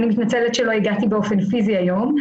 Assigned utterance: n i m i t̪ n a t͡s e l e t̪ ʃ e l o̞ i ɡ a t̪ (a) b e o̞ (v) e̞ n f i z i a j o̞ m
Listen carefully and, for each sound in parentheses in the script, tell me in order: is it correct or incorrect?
incorrect: i, incorrect: f

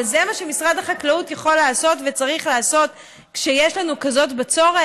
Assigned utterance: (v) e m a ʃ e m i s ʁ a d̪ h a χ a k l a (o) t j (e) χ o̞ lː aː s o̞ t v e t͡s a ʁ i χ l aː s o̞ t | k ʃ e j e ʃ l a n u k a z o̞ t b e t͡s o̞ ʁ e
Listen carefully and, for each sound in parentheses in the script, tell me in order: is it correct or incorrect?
incorrect: z, incorrect: u, incorrect: a

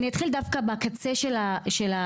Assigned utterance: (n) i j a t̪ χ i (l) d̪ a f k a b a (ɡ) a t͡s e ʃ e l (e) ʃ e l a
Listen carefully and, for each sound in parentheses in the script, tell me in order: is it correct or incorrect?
correct, correct, incorrect: k, incorrect: a

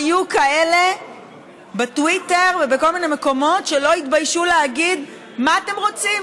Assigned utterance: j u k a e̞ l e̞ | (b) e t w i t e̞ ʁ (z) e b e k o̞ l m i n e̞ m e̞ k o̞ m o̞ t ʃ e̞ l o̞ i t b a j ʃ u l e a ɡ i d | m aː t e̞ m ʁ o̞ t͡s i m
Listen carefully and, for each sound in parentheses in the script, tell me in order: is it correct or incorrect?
correct, incorrect: v

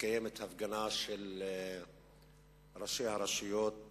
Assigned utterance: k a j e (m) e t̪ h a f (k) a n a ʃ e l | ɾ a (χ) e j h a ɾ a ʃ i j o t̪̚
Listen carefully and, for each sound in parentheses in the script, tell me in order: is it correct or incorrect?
correct, incorrect: ɡ, incorrect: ʃ

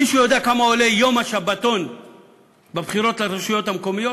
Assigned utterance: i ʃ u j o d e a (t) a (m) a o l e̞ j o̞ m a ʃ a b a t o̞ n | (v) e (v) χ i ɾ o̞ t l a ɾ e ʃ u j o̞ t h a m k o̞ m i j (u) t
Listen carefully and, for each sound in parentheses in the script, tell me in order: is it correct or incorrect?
incorrect: k, correct, incorrect: b, incorrect: b, incorrect: o

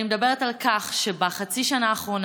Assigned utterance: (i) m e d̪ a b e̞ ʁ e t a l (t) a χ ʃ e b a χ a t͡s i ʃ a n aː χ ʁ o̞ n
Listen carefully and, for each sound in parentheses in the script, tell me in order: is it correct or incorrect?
correct, incorrect: k

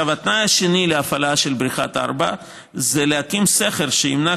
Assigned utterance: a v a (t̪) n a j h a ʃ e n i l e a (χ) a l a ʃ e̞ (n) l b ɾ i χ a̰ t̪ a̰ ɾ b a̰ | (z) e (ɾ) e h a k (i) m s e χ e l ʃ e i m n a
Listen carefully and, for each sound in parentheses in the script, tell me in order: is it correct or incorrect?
correct, incorrect: f, incorrect: none, correct, incorrect: l, correct

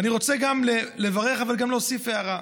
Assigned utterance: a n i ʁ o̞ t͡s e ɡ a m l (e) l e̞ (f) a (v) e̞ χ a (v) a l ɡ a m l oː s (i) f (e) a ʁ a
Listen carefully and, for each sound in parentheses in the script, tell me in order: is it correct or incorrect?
correct, incorrect: v, incorrect: ʁ, correct, correct, correct

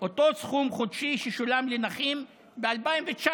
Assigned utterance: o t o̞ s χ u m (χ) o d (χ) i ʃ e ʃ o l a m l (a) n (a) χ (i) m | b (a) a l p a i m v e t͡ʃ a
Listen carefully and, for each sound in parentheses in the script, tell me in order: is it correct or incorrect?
correct, incorrect: ʃ, incorrect: e, correct, correct, incorrect: e

